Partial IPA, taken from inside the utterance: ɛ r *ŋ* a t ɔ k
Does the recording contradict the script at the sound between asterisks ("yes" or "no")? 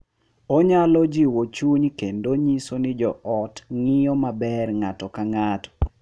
no